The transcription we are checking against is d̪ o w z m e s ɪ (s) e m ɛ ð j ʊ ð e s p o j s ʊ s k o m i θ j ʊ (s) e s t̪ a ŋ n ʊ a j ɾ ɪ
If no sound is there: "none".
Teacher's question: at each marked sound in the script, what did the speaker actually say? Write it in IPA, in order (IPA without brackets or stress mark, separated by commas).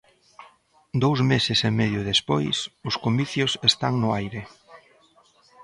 s, s